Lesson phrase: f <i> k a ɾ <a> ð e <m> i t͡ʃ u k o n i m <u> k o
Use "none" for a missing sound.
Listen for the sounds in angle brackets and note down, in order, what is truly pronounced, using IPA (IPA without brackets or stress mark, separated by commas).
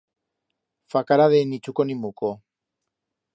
a, a, n, u